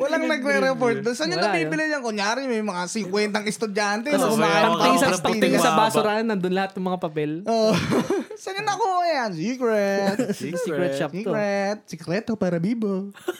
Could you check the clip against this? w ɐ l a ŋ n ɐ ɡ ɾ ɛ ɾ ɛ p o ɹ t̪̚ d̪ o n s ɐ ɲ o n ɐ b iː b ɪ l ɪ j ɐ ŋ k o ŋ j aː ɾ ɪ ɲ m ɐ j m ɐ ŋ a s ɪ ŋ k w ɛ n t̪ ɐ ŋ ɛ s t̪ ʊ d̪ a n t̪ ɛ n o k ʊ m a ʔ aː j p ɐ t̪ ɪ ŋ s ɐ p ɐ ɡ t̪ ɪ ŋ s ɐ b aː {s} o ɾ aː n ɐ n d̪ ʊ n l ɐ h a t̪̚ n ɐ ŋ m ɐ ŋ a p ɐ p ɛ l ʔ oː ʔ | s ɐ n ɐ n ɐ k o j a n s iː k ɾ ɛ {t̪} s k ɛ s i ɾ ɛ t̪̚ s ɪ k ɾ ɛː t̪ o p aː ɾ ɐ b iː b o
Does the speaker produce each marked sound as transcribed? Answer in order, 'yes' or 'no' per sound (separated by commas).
yes, yes